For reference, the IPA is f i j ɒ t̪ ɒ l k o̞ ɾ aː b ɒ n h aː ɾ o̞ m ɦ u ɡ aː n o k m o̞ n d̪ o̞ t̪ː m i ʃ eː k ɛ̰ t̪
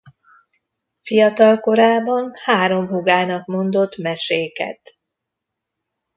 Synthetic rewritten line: f i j ɒ t̪ ɒ l k o̞ ɾ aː b ɒ n h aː ɾ o̞ m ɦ u ɡ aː n ɒ k m o̞ n d̪ o̞ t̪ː m ɛ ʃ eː k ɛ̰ t̪